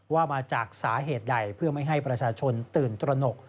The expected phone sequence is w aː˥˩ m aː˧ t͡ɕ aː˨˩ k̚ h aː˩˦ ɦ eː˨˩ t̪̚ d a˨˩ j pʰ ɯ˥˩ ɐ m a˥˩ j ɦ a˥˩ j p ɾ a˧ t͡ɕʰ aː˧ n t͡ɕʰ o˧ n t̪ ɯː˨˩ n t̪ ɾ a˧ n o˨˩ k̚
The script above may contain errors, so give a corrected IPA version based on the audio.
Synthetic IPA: w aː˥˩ m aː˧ t͡ɕ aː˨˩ k̚ s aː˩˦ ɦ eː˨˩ t̪̚ d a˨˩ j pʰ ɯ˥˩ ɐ m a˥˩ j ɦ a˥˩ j p ɾ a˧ t͡ɕʰ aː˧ t͡ɕʰ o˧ n t̪ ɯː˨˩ n t̪ ɾ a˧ n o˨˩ k̚